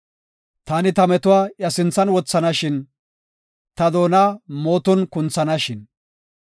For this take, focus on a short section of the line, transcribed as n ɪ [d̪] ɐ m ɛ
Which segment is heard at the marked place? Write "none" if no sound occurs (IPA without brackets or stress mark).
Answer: t̪